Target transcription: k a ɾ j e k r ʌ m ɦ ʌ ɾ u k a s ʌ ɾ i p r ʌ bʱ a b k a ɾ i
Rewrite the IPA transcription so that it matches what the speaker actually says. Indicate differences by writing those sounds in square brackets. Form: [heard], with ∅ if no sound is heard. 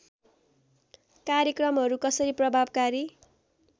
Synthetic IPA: k a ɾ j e k r ʌ m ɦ ʌ ɾ u k [ʌ] s ʌ ɾ i p r ʌ bʱ a b k a ɾ i